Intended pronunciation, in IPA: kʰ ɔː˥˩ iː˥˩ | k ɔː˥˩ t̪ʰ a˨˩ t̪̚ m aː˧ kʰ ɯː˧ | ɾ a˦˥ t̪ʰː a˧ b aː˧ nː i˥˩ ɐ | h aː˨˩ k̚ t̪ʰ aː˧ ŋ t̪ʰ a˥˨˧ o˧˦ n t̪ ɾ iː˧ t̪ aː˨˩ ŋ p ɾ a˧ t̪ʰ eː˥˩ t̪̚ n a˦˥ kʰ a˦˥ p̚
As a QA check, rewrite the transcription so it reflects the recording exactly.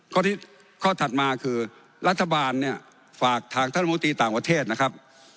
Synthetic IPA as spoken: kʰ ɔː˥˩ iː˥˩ | kʰ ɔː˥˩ t̪ʰ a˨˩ t̪̚ m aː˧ kʰ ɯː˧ | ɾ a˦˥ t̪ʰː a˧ b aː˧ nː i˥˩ ɐ | f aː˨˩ k̚ t̪ʰ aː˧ ŋ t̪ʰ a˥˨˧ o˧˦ n t̪ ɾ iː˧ t̪ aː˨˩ ŋ p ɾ a˧ t̪ʰ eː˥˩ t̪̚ n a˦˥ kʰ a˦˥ p̚

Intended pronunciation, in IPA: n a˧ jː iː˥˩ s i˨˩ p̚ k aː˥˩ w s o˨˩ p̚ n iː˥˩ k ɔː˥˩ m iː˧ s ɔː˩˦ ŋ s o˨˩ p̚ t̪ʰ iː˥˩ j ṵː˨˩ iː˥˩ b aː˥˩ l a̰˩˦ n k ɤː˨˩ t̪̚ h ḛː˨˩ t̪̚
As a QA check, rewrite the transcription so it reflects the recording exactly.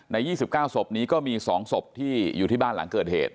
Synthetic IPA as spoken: n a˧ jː iː˥˩ s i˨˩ p̚ k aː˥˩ w s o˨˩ p̚ n iː˦˥ k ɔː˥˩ m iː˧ s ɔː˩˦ ŋ s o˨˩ p̚ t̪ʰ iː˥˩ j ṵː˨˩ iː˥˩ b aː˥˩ l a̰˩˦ ŋ k ɤː˨˩ t̪̚ h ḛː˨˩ t̪̚

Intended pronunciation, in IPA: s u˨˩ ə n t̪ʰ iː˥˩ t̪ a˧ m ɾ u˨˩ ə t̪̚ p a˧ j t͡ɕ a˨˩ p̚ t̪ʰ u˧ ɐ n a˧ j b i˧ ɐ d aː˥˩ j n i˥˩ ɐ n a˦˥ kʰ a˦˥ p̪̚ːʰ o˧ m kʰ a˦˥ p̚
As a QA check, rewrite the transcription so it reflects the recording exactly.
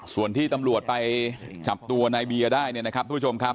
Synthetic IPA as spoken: s u˨˩ ə n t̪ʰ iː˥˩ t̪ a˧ m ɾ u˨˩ ə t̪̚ p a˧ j t͡ɕ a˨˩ p̚ t̪ u˧ ɐ n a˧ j b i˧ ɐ d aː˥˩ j n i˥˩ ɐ n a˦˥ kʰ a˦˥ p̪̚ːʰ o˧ m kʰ a˦˥ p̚

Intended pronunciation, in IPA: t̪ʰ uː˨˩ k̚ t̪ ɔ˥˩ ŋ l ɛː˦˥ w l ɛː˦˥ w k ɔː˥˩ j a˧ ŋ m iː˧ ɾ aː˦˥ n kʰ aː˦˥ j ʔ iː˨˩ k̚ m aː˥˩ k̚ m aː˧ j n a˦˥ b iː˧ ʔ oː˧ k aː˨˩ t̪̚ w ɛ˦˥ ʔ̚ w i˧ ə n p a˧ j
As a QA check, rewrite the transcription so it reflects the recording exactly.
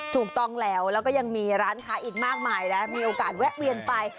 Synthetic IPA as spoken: t̪ʰ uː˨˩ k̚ t̪ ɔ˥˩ ŋ l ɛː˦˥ w l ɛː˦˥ w k ɔː˥˩ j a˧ ŋ m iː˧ ɾ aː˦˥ n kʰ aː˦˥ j ʔ iː˨˩ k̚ m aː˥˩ k̚ m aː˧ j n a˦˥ m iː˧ ʔ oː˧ k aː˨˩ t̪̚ w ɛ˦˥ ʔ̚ w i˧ ə n p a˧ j

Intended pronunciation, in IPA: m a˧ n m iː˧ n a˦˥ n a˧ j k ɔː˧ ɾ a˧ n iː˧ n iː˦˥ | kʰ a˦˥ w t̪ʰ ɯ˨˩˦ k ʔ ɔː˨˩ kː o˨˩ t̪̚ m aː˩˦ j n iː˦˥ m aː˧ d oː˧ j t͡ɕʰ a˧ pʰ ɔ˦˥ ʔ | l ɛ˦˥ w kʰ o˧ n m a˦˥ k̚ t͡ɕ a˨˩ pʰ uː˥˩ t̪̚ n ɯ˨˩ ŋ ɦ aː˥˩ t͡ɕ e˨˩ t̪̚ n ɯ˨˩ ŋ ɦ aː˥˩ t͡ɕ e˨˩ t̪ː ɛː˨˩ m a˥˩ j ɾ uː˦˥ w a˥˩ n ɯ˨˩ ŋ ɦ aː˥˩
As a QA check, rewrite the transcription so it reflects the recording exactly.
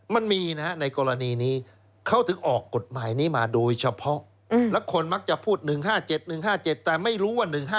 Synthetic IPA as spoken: m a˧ n m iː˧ n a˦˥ n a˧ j k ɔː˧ ɾ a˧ n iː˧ n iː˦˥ | kʰ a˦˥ w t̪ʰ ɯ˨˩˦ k ʔ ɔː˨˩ kː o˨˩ t̪̚ m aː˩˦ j n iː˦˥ m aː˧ d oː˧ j t͡ɕʰ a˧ pʰ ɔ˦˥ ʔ | l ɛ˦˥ w kʰ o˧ n m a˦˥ k̚ t͡ɕ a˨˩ pʰ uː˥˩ t̪̚ n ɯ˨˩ ŋ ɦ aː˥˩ t͡ɕ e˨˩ t̪̚ n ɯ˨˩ ŋ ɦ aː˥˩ t͡ɕ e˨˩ t̪ː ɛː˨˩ m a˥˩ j ɾ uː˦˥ w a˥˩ n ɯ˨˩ ŋ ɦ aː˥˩

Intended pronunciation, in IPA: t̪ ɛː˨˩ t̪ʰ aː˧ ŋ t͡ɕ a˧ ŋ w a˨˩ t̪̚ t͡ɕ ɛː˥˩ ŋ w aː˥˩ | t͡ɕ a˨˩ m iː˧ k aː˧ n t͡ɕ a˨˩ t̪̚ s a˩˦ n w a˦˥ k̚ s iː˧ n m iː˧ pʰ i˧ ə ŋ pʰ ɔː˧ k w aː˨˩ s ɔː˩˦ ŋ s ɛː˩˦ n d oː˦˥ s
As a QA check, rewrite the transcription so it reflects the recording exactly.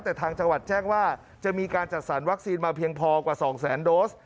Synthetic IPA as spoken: t̪ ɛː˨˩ t̪ʰ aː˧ ŋ t͡ɕ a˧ ŋ w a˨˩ t̪̚ t͡ɕ ɛː˥˩ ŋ w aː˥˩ | t͡ɕ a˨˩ m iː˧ k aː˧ n t͡ɕ a˨˩ t̪̚ s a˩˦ n w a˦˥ k̚ s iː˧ n m aː˧ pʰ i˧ ə ŋ pʰ ɔː˧ k w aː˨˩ s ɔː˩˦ ŋ s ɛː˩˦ n d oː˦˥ s

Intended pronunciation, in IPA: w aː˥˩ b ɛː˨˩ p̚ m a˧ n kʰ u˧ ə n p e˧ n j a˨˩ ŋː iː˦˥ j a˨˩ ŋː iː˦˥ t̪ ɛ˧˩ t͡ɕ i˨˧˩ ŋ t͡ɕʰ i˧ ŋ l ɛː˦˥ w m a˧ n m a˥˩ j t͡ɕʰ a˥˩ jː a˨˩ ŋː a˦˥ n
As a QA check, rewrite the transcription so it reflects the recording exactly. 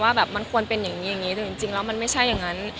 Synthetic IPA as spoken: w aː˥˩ b ɛː˨˩ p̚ m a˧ n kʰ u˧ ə n p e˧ n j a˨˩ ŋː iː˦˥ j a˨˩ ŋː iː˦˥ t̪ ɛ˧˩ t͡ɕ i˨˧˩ ŋ t͡ɕ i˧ ŋ l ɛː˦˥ w m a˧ n m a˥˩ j t͡ɕʰ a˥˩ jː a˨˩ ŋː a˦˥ n

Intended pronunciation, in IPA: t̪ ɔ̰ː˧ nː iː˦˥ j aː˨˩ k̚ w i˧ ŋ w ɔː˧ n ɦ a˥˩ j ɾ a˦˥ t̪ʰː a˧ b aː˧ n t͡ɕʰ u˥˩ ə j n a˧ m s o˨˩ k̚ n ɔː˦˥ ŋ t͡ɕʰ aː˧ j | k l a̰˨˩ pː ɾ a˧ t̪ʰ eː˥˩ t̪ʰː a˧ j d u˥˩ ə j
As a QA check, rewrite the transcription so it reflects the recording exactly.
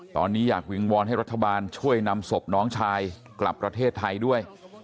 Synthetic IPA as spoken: t̪ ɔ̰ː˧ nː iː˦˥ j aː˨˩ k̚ w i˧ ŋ w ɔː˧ n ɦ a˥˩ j ɾ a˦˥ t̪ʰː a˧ b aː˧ n t͡ɕʰ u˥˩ ə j n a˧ m s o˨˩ p̚ n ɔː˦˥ ŋ t͡ɕʰ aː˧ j | k l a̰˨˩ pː ɾ a˧ t̪ʰ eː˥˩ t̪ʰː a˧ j d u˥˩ ə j

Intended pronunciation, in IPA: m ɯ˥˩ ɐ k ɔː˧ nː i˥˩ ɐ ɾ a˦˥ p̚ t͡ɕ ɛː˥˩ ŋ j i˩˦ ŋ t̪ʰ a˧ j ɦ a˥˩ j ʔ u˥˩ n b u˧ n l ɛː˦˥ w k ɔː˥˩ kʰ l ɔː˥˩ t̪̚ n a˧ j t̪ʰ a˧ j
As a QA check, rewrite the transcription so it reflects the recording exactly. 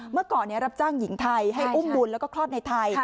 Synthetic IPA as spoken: m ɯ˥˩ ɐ k ɔː˨˩ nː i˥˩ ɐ ɾ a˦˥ p̚ t͡ɕ aː˥˩ ŋ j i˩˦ ŋ t̪ʰ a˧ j ɦ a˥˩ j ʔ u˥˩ m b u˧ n l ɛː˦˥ w k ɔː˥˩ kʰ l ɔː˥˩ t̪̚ n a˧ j t̪ʰ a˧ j

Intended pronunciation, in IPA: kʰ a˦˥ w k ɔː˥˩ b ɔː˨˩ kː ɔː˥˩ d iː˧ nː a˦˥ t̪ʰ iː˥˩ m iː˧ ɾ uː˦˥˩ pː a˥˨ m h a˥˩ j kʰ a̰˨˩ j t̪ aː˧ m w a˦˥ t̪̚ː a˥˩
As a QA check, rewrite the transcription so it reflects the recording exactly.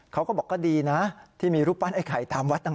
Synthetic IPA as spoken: kʰ a˦˥ w k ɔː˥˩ b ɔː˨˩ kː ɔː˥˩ d iː˧ n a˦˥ t̪ʰ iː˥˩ m iː˧ ɾ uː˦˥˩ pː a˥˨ n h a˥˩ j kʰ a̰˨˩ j t̪ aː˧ m w a˦˥ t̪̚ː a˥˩

